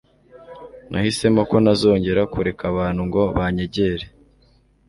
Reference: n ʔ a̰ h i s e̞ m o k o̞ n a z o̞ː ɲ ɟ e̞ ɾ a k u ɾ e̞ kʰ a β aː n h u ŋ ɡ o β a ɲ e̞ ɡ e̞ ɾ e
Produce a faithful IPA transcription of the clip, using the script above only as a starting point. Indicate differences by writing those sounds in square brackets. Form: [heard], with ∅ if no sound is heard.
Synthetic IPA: n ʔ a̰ h i s e̞ m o k o̞ n a z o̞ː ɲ ɟ e̞ ɾ a k u ɾ e̞ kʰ a β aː n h u ŋ ɡ o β a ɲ e̞ [ɟ] e̞ ɾ e